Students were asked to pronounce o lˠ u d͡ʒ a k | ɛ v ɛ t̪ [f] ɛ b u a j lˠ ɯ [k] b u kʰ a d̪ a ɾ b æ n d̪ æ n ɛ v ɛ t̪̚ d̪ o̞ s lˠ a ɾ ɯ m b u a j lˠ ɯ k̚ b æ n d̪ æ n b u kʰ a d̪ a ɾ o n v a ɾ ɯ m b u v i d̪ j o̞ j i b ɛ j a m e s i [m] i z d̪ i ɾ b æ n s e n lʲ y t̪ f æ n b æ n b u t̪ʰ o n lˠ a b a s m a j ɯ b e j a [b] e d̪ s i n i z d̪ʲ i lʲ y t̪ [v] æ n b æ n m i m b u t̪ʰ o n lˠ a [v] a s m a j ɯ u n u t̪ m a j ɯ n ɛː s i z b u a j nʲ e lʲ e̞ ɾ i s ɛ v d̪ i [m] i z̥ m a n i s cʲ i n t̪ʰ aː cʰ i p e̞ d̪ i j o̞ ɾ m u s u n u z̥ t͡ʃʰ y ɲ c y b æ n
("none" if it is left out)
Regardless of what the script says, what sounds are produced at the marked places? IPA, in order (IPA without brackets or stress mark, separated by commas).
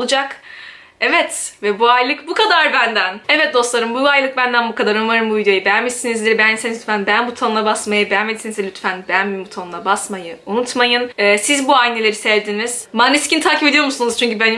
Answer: v, k, n, m, f, b, n